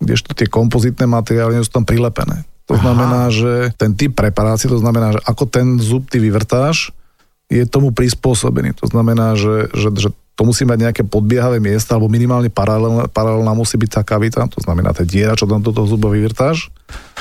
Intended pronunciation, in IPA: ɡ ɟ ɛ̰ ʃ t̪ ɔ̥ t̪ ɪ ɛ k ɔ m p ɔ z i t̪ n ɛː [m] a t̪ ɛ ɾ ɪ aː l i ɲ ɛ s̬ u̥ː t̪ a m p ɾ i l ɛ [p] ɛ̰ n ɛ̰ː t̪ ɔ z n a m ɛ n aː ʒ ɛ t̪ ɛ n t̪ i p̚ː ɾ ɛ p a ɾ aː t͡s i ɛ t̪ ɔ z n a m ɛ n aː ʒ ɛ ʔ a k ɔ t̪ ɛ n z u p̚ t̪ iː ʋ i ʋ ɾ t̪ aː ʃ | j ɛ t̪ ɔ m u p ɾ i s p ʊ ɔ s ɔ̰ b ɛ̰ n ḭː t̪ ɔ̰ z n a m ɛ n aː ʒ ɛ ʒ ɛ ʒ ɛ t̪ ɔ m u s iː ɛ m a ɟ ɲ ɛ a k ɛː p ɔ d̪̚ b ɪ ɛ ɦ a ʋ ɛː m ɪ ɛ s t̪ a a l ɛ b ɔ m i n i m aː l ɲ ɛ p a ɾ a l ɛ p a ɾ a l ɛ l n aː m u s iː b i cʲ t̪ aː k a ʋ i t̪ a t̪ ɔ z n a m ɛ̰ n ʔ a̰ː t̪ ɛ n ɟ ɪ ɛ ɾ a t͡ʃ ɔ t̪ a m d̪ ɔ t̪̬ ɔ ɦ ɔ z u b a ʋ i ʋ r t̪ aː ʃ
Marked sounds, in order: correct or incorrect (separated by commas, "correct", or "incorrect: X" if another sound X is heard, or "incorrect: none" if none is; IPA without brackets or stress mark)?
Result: correct, correct